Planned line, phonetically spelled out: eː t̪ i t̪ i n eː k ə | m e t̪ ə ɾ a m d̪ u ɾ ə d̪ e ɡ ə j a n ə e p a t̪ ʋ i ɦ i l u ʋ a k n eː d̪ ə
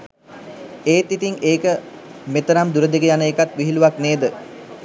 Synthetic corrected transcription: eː t̪ i t̪ i ŋ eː k ə | m e t̪ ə ɾ a m d̪ u ɾ ə d̪ e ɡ ə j a n ə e k a t̪ ʋ i ɦ i l u ʋ a k n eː d̪ ə